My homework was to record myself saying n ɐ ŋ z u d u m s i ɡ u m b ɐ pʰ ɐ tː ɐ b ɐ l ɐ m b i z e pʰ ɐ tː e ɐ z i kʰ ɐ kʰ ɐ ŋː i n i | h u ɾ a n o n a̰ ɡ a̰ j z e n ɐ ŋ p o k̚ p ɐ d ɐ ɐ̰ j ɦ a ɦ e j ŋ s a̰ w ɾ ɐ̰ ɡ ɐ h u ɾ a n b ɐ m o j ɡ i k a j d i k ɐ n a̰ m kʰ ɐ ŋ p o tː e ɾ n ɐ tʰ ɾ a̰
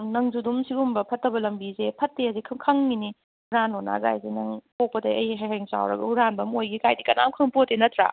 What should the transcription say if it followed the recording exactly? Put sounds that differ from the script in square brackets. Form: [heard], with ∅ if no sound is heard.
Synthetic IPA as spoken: n ɐ ŋ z u d u m s i ɡ u m b ɐ pʰ ɐ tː ɐ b ɐ l ɐ m b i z e pʰ ɐ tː e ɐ z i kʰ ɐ kʰ ɐ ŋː i n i | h u ɾ a n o n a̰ ɡ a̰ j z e n ɐ ŋ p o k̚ p ɐ d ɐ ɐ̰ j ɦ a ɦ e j ŋ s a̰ w ɾ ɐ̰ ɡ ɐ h u ɾ a n b ɐ m o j ɡ i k a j d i k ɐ n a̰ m kʰ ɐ ŋ p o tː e [∅] n ɐ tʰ ɾ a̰